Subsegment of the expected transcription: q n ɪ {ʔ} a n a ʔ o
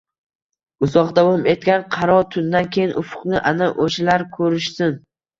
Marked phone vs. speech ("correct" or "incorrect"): correct